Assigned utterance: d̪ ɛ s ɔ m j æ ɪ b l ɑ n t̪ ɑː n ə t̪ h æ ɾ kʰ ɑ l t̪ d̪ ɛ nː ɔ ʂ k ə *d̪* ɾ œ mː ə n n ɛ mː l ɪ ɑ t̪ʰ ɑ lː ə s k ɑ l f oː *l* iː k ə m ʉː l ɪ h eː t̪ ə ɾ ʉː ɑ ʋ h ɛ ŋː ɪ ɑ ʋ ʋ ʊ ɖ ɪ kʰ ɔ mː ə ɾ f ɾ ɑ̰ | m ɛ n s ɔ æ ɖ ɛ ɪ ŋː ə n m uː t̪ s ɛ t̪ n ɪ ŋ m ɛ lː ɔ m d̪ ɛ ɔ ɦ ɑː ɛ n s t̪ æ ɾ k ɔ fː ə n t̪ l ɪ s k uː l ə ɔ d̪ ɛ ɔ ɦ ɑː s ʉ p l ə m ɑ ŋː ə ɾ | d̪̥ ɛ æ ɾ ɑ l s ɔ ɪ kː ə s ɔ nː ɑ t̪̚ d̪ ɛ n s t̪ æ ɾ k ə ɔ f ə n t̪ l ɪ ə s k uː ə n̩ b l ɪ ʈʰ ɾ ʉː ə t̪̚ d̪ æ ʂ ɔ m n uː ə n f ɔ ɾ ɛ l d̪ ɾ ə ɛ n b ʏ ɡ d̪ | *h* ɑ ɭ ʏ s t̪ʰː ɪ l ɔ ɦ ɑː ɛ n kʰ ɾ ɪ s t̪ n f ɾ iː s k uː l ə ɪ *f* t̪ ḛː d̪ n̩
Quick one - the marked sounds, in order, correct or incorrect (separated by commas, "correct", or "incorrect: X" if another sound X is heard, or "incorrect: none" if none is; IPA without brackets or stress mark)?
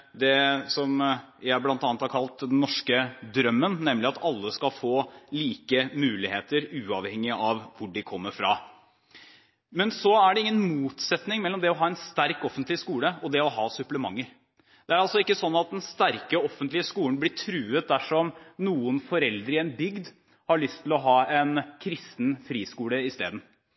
correct, correct, correct, incorrect: s